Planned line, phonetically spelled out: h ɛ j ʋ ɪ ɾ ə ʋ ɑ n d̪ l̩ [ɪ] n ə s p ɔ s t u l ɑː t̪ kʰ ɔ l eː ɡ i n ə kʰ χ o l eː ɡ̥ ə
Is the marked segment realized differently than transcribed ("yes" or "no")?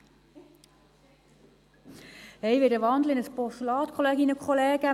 no